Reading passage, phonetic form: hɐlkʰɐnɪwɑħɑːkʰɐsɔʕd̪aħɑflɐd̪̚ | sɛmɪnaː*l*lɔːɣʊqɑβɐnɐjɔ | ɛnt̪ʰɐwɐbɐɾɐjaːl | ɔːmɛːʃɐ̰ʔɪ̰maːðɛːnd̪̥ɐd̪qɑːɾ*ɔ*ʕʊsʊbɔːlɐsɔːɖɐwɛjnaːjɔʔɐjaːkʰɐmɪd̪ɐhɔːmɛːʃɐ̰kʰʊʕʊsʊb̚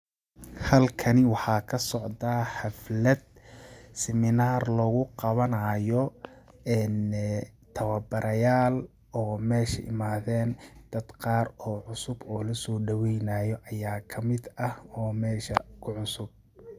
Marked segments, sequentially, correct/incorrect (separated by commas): incorrect, incorrect